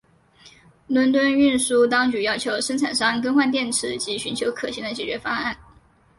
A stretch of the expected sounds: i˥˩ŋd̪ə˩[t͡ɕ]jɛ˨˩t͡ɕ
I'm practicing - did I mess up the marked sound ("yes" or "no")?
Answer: no